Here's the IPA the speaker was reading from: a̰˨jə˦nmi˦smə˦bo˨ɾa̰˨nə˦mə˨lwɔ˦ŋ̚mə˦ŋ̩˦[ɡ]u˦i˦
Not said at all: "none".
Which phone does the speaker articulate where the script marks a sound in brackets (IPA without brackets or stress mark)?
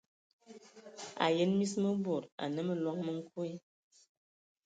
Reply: k